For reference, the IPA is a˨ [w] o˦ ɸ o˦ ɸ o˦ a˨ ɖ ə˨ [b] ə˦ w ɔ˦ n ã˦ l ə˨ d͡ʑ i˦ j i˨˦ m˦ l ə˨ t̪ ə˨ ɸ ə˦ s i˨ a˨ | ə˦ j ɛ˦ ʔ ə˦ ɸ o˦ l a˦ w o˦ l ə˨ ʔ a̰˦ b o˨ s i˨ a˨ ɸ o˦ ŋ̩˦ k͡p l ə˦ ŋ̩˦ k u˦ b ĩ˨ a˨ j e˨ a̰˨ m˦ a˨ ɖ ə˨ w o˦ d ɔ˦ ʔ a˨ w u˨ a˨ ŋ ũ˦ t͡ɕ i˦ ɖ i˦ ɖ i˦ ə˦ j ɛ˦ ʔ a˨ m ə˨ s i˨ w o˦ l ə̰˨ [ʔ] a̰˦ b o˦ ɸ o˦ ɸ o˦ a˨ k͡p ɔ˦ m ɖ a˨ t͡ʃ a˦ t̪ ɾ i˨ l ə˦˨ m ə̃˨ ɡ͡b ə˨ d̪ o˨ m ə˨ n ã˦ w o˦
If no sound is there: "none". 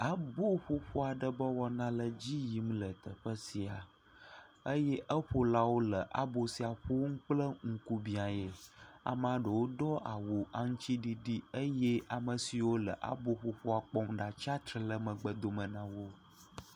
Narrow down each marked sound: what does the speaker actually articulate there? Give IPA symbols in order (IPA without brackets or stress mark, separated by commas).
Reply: b, b, ʔ